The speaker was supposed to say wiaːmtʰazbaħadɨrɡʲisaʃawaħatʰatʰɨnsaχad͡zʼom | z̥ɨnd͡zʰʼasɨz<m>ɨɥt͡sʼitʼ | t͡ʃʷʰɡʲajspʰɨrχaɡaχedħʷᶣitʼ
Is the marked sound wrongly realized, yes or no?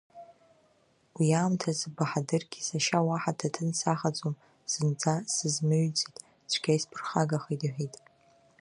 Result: no